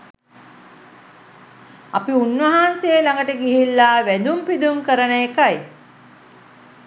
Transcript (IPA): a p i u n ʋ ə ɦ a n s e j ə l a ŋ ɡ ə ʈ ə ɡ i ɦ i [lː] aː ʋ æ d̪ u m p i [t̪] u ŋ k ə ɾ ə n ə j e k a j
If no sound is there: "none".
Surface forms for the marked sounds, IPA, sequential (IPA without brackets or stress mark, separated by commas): lː, d̪